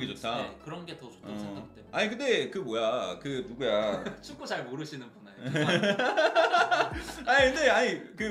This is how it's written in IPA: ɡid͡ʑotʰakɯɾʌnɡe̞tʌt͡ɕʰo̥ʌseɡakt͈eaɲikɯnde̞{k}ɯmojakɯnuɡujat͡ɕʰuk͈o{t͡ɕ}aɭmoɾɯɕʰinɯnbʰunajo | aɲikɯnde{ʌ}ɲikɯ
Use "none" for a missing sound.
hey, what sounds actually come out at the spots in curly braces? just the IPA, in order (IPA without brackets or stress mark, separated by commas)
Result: k, t͡ɕ, a